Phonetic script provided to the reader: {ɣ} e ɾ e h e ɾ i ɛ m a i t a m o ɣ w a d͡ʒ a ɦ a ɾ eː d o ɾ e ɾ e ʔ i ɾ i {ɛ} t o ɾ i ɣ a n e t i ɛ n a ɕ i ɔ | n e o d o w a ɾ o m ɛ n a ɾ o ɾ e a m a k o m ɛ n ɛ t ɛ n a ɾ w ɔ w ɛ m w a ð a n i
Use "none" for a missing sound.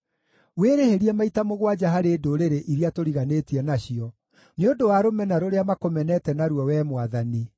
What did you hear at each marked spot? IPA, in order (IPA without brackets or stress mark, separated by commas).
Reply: w, a